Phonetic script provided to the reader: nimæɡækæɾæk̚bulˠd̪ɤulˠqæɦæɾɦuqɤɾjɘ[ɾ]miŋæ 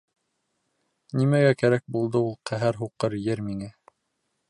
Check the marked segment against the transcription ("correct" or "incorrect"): correct